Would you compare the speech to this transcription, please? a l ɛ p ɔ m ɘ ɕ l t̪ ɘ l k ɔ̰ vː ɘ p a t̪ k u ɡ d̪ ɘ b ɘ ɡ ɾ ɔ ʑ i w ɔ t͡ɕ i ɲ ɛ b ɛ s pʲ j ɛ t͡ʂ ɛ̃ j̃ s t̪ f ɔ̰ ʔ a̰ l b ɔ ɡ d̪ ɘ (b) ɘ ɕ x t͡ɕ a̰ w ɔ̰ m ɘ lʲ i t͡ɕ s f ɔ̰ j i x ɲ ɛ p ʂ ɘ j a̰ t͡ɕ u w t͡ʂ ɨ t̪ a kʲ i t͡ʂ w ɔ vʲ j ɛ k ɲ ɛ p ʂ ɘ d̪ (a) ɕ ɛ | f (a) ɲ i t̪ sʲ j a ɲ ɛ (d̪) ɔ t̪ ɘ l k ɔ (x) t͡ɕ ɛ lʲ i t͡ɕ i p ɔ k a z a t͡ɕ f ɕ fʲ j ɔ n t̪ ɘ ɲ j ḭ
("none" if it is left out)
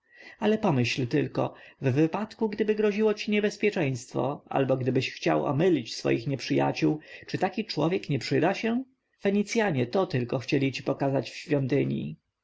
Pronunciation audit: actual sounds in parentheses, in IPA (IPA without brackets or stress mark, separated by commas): b, a, ɛ, t̪, x